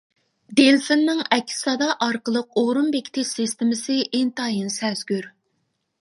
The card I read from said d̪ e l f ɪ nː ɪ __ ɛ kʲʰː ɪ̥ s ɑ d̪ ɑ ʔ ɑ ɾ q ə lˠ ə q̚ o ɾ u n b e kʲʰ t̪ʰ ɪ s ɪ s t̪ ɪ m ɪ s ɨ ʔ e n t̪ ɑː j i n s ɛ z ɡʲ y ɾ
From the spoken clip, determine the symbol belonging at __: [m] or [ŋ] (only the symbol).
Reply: ŋ